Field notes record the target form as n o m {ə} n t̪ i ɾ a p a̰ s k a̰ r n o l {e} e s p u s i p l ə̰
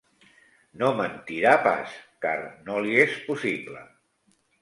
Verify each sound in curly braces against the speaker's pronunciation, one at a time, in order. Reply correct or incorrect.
correct, incorrect: i

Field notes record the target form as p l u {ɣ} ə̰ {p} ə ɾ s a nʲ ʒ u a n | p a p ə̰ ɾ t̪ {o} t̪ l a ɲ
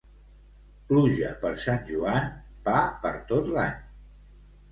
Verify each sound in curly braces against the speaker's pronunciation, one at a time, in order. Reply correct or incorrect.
incorrect: ʒ, correct, correct

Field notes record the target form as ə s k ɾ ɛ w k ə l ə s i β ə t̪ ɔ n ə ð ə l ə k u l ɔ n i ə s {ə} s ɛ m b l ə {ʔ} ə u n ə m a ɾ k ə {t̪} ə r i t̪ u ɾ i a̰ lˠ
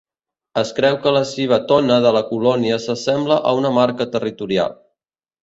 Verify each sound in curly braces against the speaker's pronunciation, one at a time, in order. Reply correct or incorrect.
correct, correct, correct

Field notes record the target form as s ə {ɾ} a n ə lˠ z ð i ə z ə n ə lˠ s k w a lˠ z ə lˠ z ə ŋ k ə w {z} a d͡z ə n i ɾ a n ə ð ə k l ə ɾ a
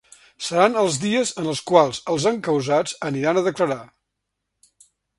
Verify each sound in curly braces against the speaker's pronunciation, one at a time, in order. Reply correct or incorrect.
correct, correct

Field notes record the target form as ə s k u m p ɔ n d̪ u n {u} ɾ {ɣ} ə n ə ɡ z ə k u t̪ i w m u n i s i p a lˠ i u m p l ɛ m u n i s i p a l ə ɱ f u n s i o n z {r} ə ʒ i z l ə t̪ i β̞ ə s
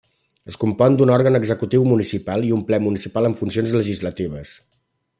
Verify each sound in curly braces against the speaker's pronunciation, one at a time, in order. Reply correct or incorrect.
incorrect: ɔ, correct, incorrect: l

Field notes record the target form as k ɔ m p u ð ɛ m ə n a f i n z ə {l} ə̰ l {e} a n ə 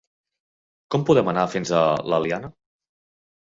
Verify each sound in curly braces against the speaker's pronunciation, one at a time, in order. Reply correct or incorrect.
correct, incorrect: i

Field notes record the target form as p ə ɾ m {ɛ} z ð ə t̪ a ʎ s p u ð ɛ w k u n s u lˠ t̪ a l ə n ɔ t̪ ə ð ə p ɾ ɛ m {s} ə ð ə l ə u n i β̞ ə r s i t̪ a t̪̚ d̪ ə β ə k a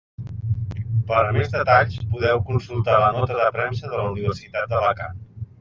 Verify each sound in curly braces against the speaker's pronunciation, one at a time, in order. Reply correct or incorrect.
incorrect: e, correct

